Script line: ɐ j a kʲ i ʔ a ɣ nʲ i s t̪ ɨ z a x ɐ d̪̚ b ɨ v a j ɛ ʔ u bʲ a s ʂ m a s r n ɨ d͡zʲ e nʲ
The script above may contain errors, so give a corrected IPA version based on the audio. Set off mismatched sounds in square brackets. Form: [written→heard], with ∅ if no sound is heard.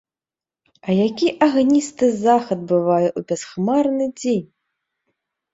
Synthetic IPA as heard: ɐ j a kʲ i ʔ a ɣ nʲ i s t̪ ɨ z a x ɐ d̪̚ b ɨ v a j ɛ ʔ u bʲ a s [ʂ→x] m a [s→∅] r n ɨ d͡zʲ e nʲ